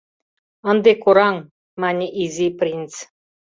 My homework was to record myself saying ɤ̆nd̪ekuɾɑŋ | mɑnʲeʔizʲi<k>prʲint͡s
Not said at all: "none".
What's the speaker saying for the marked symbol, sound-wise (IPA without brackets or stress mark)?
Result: none